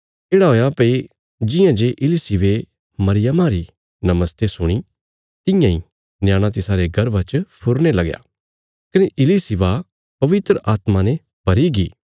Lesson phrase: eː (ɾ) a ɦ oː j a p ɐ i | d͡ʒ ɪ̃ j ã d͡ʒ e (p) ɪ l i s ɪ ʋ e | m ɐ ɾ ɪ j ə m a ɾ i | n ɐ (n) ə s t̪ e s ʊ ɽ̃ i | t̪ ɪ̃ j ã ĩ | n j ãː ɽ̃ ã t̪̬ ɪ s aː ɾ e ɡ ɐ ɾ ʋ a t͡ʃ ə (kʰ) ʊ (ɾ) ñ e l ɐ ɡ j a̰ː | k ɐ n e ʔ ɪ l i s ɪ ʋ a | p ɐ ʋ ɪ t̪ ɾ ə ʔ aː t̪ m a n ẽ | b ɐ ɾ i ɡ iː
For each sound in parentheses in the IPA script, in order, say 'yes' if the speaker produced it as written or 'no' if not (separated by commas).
no, no, no, no, yes